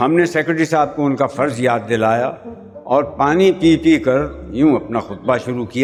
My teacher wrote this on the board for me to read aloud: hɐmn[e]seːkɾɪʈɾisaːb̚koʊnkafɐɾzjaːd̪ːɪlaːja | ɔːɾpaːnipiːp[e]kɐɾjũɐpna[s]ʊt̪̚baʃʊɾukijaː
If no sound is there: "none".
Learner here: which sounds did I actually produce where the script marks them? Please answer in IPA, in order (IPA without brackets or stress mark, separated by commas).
e, i, x